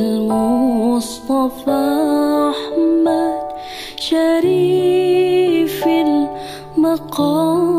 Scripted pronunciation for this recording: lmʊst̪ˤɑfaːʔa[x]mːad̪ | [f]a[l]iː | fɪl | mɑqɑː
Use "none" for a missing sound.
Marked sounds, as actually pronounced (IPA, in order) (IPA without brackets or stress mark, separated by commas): ħ, ʃ, ɾ